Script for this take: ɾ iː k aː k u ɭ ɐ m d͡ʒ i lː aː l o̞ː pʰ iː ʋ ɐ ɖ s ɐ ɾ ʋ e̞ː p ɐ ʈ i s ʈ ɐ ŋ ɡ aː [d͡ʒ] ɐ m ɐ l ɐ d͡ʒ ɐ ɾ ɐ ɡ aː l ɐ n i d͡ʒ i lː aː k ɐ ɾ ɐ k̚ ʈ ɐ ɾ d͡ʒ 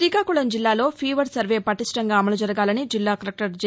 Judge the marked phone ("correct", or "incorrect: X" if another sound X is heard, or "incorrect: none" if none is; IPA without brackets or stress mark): incorrect: none